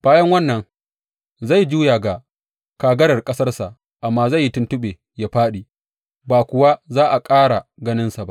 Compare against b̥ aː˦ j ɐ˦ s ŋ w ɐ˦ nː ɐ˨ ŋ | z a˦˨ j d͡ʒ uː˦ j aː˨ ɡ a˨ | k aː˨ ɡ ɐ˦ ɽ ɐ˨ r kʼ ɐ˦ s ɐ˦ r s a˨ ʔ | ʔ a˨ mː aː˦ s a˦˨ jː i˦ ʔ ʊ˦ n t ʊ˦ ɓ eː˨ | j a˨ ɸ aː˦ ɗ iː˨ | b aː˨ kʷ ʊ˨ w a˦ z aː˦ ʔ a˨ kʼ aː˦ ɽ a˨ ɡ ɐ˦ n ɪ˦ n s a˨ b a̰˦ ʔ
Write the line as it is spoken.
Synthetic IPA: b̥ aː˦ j ɐ˦ ŋ w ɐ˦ nː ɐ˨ ŋ | z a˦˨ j d͡ʒ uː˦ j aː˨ ɡ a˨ | k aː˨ ɡ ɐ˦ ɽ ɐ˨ r kʼ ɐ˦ s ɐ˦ r s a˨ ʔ | ʔ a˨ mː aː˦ z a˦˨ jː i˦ t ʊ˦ n t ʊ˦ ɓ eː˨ | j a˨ ɸ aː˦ ɗ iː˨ | b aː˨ kʷ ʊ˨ w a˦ z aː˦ ʔ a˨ kʼ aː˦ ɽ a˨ ɡ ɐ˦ n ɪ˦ n s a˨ b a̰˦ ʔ

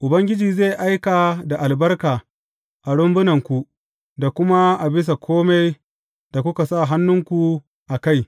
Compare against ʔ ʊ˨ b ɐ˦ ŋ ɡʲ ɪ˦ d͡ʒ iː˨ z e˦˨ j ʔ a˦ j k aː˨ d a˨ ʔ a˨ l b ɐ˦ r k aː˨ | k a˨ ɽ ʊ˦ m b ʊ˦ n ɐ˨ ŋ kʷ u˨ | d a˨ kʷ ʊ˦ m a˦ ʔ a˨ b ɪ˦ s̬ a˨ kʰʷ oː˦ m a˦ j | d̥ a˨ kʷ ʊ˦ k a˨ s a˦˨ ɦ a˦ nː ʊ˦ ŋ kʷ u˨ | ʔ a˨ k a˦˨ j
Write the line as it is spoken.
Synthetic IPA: ʔ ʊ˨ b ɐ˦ ŋ ɡʲ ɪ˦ d͡ʒ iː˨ z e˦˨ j ʔ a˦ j k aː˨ d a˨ ʔ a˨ l b ɐ˦ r k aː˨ | ʔ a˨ ɽ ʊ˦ m b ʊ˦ n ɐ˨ ŋ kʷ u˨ | d a˨ kʷ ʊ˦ m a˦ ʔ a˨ b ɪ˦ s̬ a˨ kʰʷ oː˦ m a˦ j | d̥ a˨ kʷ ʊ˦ k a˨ s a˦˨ ɦ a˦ nː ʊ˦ ŋ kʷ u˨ | ʔ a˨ k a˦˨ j

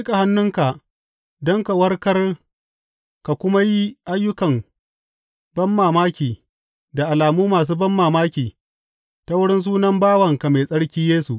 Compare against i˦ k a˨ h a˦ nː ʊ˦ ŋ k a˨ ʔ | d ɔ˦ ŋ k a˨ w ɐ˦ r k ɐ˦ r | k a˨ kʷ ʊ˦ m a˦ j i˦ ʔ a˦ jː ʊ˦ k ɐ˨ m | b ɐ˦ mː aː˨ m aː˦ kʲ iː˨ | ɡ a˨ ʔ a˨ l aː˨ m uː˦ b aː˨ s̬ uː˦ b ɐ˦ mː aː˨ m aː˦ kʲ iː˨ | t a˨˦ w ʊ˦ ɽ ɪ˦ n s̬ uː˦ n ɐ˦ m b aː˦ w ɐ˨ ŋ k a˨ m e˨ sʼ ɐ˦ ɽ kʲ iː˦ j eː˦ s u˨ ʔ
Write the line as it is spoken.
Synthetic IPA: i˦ k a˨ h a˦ nː ʊ˦ ŋ k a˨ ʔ | d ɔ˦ ŋ k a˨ w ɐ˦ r k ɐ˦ r | k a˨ kʷ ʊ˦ m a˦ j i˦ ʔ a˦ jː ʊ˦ k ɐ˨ m | b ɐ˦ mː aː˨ m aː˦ kʲ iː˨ | d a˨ ʔ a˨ l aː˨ m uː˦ m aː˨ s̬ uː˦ b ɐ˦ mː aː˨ m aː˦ kʲ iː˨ | t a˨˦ w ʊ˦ ɽ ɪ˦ n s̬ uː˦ n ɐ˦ m b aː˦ w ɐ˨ ŋ k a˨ m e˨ sʼ ɐ˦ ɽ kʲ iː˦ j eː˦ s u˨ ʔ

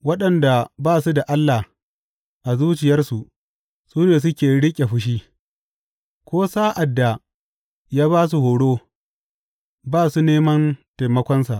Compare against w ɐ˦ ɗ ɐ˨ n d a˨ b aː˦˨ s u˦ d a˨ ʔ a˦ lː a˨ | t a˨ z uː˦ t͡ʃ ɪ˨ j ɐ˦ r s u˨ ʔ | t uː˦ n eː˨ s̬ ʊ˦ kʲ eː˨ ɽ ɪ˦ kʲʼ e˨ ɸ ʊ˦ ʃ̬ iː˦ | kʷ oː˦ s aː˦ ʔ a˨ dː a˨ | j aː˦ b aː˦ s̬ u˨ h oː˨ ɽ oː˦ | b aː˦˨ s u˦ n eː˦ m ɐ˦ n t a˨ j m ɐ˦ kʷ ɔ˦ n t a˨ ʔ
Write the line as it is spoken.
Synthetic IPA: w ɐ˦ ɗ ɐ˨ n d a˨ b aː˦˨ s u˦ d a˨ ʔ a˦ lː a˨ | ʔ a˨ z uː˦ t͡ʃ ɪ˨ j ɐ˦ r s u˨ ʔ | s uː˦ n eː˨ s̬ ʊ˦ kʲ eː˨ ɽ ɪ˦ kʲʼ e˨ ɸ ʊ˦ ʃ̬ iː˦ | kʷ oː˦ s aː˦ ʔ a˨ dː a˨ | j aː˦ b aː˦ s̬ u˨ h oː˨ ɽ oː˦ | b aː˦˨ s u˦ n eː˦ m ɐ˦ n t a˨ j m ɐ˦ kʷ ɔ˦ n s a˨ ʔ

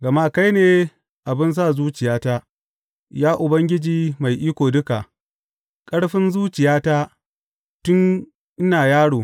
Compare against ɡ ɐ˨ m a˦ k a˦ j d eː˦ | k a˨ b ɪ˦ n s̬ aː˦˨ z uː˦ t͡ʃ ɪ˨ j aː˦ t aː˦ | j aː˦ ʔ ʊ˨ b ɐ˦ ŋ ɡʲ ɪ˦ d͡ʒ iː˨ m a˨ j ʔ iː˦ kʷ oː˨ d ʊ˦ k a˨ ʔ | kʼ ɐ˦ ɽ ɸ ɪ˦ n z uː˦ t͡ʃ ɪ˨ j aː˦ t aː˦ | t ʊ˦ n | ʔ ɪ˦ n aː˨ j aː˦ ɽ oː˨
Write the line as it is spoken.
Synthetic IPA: ɡ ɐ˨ m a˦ k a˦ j n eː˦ | ʔ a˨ b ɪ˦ n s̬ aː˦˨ z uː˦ t͡ʃ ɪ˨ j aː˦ t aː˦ | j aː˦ ʔ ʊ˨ b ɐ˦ ŋ ɡʲ ɪ˦ d͡ʒ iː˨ m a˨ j ʔ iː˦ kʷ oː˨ d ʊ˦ k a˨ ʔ | kʼ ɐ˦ ɽ ɸ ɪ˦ n z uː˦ t͡ʃ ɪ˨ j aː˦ t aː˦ | t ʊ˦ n | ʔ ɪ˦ n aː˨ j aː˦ ɽ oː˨

